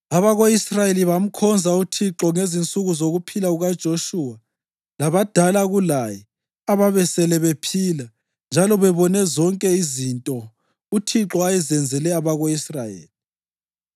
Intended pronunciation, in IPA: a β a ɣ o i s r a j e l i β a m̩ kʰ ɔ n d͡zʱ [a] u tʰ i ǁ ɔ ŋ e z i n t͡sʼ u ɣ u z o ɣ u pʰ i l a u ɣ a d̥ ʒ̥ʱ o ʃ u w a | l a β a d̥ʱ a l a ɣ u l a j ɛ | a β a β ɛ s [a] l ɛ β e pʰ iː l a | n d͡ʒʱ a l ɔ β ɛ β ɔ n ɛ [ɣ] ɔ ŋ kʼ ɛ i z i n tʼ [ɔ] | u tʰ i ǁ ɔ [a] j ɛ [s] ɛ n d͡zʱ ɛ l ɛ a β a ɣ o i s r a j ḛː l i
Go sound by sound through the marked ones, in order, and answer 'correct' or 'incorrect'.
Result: correct, incorrect: ɛ, incorrect: z, correct, correct, incorrect: z

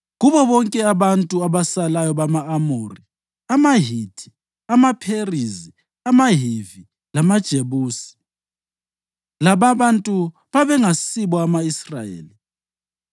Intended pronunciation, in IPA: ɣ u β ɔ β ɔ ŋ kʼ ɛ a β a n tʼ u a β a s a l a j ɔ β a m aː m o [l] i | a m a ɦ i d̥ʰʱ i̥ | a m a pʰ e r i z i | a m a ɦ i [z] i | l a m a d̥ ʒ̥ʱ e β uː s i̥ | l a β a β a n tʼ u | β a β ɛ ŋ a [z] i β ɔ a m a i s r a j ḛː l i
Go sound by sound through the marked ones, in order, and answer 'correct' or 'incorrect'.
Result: incorrect: r, incorrect: v, incorrect: s

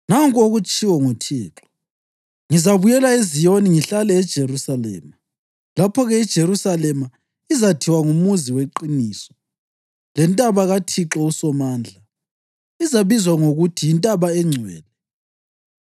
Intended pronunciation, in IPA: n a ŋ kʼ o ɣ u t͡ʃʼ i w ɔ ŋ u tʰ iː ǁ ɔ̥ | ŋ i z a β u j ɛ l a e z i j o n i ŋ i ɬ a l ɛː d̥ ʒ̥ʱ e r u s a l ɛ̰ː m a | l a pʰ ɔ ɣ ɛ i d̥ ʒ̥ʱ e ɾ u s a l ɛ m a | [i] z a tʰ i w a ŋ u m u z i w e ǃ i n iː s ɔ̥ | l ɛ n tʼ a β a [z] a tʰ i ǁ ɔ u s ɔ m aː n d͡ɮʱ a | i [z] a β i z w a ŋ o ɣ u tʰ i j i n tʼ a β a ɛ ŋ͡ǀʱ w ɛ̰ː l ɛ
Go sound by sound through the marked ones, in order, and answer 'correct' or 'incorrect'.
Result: correct, incorrect: ɣ, correct

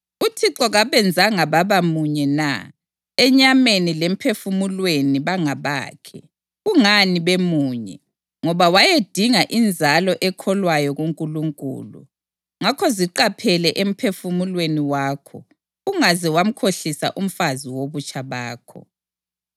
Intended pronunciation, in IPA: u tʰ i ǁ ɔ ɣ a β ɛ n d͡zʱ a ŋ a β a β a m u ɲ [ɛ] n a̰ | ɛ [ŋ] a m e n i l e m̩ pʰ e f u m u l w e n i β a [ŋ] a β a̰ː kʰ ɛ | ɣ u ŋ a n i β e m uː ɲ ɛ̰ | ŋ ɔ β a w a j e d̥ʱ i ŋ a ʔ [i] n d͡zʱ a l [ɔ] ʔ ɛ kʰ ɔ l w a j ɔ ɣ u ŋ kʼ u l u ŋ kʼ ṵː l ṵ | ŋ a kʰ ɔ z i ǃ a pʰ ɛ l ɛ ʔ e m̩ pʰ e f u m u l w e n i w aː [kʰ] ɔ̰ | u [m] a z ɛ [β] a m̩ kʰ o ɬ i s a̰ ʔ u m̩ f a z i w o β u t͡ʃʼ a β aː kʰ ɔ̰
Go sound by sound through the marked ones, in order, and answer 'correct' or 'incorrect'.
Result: correct, incorrect: ɲ, correct, correct, correct, correct, incorrect: ŋ, incorrect: w

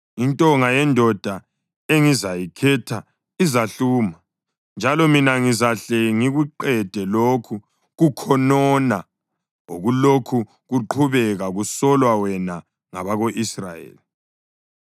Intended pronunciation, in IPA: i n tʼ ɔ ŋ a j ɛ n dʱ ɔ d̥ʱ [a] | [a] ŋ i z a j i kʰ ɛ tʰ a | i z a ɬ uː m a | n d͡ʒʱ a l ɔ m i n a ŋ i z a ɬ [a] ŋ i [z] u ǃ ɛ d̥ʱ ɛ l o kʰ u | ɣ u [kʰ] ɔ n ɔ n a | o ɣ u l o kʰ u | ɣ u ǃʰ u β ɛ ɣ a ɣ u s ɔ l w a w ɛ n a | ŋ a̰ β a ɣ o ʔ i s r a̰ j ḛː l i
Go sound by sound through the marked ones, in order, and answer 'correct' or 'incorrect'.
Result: correct, incorrect: e, incorrect: ɛ, incorrect: ɣ, correct

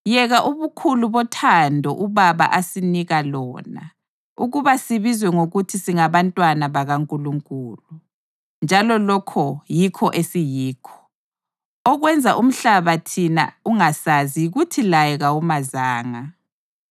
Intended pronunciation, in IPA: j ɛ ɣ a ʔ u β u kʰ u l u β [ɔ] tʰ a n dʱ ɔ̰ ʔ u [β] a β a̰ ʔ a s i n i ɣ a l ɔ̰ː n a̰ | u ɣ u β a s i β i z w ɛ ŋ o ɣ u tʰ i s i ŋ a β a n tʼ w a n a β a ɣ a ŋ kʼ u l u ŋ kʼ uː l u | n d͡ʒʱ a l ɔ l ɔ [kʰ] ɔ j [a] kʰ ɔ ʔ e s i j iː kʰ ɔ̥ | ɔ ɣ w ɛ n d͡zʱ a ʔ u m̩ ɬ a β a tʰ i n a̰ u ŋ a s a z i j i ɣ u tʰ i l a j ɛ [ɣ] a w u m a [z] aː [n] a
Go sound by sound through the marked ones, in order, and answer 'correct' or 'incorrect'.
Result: correct, correct, correct, incorrect: i, correct, correct, incorrect: ŋ

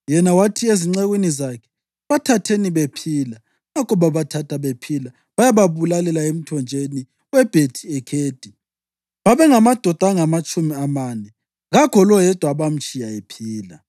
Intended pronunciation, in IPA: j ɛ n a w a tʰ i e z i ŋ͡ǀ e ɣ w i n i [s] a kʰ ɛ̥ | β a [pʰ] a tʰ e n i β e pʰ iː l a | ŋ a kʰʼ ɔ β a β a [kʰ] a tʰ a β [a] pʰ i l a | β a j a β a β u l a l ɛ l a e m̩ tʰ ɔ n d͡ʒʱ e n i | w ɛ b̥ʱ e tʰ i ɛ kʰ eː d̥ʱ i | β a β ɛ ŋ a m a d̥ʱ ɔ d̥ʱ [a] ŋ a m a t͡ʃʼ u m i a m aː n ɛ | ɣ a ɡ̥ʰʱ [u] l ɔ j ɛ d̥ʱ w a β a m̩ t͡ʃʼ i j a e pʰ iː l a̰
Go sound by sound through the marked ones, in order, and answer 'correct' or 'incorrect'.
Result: incorrect: z, incorrect: tʰ, incorrect: tʰ, incorrect: e, correct, incorrect: ɔ

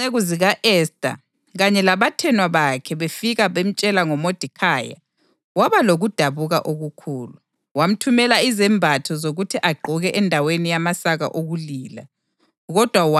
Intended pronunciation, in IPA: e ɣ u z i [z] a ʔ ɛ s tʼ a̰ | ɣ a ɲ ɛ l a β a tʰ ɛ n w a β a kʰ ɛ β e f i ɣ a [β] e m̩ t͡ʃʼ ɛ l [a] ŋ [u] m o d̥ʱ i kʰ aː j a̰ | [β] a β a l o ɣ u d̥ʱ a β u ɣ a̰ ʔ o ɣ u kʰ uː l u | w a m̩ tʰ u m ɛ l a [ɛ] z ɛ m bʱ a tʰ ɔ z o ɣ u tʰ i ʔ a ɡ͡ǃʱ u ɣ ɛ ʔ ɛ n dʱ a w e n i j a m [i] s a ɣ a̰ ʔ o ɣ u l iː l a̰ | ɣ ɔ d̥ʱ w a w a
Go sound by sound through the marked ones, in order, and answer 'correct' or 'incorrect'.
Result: incorrect: ɣ, correct, correct, incorrect: ɔ, incorrect: w, incorrect: i, incorrect: a

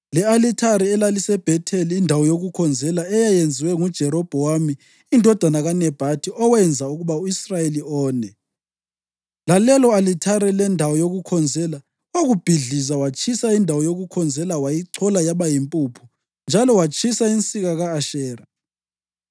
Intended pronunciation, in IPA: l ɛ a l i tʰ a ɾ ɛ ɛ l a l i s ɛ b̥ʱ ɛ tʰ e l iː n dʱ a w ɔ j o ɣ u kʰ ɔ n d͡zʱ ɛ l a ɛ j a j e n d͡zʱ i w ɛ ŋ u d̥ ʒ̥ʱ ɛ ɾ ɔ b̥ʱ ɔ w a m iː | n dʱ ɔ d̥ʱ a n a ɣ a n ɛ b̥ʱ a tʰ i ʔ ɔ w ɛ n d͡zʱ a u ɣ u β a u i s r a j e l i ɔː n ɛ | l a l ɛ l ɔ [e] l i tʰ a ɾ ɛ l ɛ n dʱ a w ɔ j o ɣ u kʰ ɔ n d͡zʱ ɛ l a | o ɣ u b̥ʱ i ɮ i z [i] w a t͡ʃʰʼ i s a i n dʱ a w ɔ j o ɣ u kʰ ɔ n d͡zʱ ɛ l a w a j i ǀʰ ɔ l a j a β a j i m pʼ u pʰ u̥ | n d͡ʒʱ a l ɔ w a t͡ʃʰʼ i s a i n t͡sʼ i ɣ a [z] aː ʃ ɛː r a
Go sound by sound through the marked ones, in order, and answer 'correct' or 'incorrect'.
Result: incorrect: a, incorrect: a, incorrect: ɣ

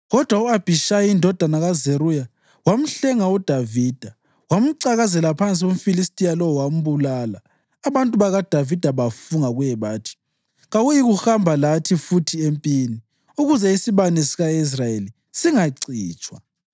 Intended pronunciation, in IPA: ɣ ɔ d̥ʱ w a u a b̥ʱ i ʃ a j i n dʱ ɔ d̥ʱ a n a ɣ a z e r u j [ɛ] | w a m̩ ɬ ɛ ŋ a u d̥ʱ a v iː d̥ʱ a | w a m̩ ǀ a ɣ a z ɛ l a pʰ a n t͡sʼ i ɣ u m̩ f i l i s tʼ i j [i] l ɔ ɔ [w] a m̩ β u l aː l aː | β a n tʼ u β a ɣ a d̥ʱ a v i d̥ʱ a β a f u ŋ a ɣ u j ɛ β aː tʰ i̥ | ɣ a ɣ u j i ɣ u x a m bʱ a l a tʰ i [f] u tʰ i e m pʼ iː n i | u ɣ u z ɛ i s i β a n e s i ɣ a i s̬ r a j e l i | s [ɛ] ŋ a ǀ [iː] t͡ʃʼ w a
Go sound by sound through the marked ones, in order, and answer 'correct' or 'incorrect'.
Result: incorrect: a, incorrect: a, correct, correct, incorrect: i, correct

